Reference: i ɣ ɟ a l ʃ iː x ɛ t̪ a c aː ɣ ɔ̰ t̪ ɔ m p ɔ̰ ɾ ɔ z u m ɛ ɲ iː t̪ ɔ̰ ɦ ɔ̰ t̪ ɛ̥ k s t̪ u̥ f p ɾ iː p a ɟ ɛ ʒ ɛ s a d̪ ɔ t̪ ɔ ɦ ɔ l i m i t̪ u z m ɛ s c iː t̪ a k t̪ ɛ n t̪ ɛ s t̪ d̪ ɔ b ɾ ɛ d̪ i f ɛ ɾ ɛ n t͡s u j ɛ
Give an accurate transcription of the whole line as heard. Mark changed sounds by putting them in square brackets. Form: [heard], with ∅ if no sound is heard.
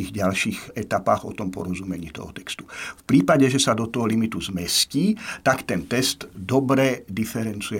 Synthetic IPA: i ɣ ɟ a l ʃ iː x ɛ t̪ a [p] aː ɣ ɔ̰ t̪ ɔ m p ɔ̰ ɾ ɔ z u m ɛ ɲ iː t̪ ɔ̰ ɦ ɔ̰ t̪ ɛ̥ k s t̪ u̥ f p ɾ iː p a ɟ ɛ ʒ ɛ s a d̪ ɔ t̪ ɔ ɦ ɔ l i m i t̪ u z m ɛ s c iː t̪ a k t̪ ɛ n t̪ ɛ s t̪ d̪ ɔ b ɾ ɛ d̪ i f ɛ ɾ ɛ n t͡s u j ɛ